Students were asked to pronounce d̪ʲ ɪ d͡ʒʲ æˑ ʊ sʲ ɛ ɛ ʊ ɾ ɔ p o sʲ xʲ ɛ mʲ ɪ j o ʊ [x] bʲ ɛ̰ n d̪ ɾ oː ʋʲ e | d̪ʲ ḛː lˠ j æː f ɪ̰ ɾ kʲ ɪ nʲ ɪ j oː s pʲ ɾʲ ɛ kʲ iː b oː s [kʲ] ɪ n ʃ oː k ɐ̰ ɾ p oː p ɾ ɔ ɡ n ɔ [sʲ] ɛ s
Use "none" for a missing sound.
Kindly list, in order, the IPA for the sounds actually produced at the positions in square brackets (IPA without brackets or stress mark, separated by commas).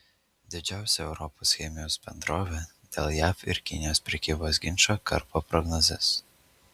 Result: s, ɡʲ, zʲ